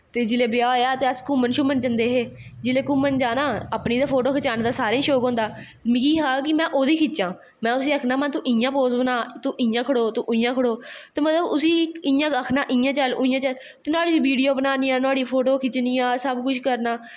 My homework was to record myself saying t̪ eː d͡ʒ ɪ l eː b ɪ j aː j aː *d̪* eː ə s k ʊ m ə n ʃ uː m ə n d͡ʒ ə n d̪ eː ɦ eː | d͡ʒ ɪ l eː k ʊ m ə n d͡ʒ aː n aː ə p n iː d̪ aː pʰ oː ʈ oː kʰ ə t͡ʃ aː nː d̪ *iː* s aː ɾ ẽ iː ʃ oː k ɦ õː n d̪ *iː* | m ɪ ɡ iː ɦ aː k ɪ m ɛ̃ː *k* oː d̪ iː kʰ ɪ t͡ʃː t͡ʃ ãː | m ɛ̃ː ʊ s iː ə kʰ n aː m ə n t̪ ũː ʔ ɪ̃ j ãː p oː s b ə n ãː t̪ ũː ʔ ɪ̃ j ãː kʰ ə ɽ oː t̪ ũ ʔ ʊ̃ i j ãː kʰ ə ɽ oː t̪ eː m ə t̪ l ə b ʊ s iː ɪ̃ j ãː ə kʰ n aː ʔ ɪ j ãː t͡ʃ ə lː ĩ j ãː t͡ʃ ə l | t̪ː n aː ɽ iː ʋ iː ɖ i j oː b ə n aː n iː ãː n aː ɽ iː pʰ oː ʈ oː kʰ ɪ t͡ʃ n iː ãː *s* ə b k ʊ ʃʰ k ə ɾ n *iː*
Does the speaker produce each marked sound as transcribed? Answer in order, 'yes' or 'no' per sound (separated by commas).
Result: no, no, no, no, yes, no